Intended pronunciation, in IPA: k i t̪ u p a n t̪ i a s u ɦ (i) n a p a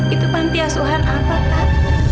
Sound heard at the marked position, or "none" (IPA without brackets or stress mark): a